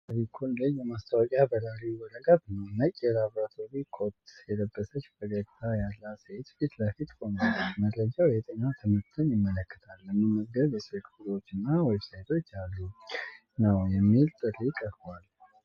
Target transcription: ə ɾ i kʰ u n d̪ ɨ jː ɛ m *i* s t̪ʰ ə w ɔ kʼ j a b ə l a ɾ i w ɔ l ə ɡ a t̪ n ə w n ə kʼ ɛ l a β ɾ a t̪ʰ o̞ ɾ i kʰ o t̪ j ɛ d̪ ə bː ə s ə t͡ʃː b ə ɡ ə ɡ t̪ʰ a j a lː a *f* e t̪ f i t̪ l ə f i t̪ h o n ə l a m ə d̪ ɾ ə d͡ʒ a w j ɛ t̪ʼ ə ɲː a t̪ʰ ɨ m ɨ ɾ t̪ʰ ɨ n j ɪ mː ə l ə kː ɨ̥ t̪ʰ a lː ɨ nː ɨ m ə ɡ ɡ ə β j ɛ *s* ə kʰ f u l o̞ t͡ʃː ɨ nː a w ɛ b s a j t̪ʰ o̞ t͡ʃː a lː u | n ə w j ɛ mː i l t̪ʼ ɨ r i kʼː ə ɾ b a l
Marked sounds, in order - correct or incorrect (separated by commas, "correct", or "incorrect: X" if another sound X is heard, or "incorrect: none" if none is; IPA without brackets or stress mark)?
incorrect: a, incorrect: s, correct